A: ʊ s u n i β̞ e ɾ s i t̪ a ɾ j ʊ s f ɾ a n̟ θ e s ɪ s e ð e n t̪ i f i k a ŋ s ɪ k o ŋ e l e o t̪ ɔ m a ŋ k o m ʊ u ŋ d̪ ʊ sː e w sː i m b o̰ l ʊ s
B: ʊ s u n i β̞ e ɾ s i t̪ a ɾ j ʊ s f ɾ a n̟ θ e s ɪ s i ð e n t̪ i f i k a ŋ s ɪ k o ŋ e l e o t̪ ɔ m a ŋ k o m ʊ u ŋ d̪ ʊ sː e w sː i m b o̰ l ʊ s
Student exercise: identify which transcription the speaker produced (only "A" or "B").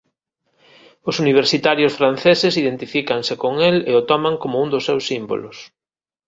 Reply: B